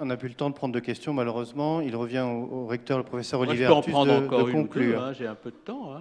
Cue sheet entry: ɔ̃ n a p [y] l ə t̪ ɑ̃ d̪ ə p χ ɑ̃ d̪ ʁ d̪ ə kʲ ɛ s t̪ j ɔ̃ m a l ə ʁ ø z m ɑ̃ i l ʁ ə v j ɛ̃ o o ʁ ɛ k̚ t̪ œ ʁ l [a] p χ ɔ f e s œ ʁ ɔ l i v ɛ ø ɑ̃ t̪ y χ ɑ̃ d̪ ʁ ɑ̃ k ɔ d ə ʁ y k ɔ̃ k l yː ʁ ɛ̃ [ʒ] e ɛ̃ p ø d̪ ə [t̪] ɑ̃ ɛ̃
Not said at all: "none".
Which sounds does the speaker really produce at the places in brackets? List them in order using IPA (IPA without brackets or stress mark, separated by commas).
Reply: y, ə, ʒ, t̪